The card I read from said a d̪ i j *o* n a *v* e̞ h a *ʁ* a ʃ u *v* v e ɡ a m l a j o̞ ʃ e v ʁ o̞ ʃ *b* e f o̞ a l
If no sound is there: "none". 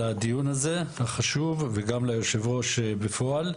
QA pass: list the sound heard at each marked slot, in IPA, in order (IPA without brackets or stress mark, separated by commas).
u, z, χ, v, b